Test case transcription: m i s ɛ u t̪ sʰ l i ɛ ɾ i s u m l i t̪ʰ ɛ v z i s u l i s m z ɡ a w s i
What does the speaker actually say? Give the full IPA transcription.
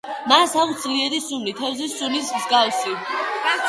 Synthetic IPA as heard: m a s a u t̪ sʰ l i ɛ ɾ i s u m l i t̪ʰ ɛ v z i s u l i s m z ɡ a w s i